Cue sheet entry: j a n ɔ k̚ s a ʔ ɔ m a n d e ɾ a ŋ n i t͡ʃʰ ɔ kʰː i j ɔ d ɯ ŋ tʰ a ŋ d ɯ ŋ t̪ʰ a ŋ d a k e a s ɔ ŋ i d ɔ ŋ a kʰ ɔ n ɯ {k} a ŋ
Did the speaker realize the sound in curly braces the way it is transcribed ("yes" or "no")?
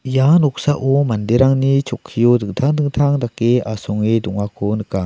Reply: yes